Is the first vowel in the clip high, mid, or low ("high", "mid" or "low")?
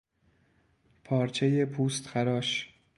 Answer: low